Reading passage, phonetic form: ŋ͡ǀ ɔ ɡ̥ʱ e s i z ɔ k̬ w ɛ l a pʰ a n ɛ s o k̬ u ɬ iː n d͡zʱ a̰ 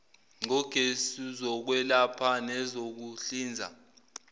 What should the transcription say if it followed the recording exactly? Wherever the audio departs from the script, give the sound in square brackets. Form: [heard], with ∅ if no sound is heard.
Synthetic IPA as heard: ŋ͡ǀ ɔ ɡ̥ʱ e s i z ɔ k̬ w ɛ l a pʰ a n ɛ [z] o k̬ u ɬ iː n d͡zʱ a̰